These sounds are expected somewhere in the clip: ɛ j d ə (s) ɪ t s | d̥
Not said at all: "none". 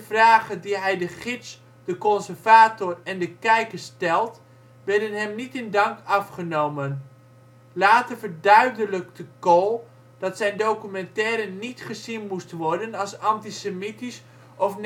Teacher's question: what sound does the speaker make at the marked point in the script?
χ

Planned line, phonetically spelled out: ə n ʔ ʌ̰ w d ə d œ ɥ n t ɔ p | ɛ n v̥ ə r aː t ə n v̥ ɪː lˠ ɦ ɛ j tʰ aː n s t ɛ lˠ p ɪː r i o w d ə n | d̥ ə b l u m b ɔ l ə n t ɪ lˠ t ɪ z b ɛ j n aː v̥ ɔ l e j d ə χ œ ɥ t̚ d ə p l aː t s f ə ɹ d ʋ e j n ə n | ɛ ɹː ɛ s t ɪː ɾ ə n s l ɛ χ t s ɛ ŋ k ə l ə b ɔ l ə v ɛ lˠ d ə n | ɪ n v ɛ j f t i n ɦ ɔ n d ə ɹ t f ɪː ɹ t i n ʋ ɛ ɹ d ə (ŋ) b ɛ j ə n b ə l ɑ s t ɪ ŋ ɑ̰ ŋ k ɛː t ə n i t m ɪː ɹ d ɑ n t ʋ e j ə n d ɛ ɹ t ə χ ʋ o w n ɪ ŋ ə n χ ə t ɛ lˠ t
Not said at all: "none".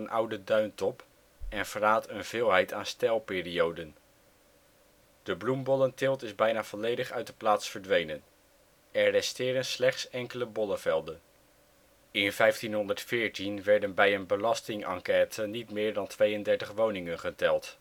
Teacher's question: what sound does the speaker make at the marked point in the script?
n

